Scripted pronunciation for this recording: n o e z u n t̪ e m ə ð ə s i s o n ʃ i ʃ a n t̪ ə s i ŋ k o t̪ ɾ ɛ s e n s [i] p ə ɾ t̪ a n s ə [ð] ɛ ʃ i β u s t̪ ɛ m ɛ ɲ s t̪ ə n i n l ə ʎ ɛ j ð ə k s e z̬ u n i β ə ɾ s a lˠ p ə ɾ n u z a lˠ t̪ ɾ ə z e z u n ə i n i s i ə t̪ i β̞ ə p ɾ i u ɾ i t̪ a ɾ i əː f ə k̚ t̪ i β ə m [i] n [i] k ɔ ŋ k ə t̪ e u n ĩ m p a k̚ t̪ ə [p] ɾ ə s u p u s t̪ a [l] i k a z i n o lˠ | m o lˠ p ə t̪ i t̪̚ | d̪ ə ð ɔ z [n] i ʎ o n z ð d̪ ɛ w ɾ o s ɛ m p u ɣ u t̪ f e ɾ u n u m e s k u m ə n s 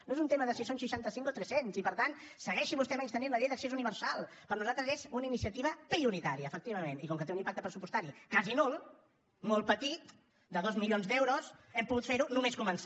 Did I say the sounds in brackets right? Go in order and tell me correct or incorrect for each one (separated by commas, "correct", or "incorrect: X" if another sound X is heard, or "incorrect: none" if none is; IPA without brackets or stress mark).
correct, incorrect: ɣ, incorrect: e, correct, correct, incorrect: ɾ, incorrect: m